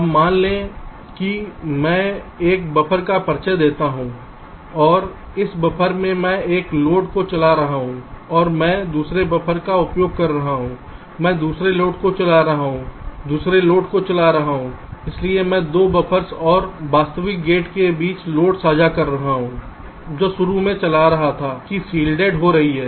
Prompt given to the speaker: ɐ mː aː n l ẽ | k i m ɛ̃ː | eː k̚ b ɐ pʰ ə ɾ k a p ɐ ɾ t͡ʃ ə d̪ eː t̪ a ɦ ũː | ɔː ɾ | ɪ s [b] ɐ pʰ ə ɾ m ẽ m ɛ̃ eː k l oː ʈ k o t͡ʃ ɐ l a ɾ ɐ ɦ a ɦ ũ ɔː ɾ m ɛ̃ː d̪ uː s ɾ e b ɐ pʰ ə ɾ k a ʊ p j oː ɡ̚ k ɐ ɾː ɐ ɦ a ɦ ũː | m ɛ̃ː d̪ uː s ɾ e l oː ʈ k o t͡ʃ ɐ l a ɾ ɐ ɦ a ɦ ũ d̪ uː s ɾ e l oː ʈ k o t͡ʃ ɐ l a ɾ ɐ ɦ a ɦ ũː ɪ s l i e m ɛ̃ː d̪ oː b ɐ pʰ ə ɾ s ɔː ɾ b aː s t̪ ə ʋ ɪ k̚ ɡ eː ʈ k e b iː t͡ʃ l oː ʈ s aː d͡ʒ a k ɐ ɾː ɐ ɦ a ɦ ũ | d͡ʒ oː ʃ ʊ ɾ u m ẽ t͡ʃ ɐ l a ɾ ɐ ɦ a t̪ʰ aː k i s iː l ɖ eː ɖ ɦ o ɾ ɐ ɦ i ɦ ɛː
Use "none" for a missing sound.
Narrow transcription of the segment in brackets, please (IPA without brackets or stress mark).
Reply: b